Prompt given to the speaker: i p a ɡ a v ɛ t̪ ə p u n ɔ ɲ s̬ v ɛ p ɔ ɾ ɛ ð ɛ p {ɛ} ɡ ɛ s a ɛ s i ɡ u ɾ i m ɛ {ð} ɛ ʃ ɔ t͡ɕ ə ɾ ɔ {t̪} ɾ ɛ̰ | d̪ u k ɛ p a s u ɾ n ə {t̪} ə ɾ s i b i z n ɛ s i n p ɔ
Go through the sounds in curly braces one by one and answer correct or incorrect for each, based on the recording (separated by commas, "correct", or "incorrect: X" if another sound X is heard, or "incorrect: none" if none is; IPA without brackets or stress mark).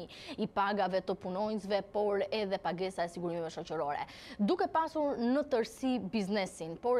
incorrect: a, incorrect: v, incorrect: none, correct